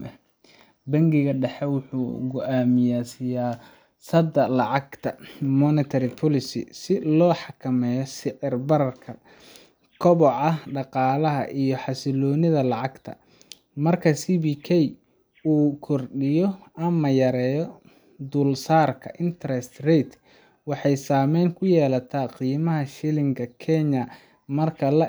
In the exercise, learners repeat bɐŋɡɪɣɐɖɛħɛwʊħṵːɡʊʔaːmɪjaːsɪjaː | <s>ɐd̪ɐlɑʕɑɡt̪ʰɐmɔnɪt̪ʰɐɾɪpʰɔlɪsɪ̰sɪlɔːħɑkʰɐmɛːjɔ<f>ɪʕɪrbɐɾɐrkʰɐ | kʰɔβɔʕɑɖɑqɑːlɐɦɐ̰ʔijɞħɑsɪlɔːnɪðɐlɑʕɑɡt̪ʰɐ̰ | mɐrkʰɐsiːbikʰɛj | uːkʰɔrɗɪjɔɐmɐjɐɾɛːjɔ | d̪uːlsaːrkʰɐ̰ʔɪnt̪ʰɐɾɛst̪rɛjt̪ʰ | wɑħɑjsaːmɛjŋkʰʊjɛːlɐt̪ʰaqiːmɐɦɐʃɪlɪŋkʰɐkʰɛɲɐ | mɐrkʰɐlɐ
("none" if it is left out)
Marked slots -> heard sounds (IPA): s, s

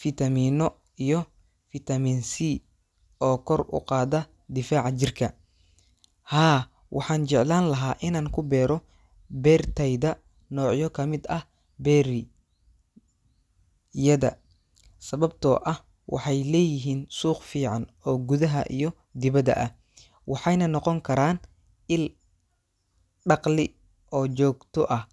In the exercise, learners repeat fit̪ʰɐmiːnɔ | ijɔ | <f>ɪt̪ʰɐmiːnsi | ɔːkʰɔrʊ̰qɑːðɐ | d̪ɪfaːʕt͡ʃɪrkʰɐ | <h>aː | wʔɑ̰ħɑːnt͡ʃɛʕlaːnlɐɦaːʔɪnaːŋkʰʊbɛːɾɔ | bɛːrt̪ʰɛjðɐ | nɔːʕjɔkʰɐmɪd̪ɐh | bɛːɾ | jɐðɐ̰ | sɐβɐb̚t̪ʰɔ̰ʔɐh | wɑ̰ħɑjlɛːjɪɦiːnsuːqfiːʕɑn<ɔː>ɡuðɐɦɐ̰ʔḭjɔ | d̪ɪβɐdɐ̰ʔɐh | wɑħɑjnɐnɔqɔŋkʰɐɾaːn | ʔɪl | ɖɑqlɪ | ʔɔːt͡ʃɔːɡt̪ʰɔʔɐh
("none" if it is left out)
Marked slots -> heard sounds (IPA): f, h, ɔː

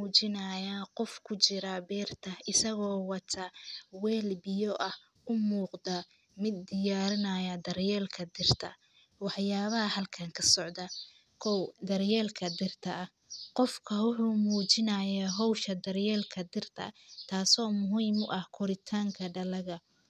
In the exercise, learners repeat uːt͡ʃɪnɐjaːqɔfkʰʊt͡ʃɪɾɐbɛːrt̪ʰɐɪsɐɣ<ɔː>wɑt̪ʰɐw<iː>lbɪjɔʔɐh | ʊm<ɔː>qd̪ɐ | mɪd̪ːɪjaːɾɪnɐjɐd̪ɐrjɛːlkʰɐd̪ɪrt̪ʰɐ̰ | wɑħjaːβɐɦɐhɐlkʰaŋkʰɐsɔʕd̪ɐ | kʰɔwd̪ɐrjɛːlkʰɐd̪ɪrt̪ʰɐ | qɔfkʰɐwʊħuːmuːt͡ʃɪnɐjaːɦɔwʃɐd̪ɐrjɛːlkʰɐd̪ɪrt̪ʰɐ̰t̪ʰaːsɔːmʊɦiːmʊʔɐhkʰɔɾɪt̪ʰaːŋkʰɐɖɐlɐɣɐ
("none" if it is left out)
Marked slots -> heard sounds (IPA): ɔː, ɛː, uː

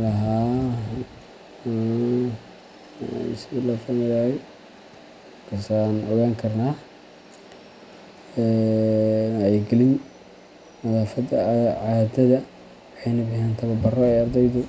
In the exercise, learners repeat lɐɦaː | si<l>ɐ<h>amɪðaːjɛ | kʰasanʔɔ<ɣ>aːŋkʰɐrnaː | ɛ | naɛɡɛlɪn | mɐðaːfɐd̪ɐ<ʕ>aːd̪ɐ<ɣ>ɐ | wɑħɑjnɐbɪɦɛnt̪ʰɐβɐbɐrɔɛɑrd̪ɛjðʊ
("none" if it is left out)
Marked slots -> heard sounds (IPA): l, f, ɣ, ʕ, ð

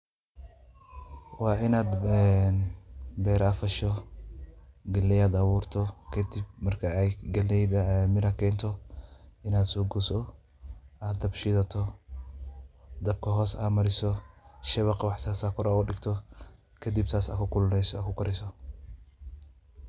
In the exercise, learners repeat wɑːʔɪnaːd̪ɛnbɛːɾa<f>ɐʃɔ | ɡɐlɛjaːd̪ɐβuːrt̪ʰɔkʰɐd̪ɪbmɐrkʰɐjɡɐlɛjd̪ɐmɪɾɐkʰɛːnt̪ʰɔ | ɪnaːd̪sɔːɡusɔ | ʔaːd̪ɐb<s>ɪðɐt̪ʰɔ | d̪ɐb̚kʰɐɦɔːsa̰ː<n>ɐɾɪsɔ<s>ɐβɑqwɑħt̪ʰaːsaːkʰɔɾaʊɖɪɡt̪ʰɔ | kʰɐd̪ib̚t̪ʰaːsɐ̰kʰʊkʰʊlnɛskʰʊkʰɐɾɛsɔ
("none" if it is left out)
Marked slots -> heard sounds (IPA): f, ʃ, m, ʃ

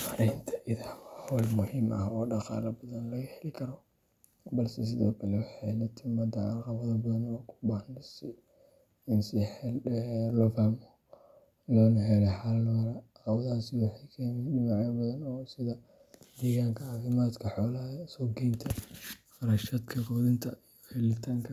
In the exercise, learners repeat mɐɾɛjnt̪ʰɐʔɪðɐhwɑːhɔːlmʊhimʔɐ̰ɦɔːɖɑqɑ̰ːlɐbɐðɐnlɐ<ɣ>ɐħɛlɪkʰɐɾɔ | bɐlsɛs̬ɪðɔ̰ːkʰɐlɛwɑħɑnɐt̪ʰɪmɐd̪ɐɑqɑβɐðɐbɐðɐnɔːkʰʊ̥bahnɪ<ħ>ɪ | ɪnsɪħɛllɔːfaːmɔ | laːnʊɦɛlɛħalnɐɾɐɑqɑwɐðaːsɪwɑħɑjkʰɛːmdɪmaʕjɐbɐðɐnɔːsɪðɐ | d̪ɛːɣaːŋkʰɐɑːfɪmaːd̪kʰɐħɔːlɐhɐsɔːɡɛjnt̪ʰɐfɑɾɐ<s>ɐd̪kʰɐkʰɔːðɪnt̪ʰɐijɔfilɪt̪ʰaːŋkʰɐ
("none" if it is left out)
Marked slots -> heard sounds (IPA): ɣ, s, ʃ

